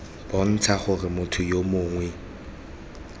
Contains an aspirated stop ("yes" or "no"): yes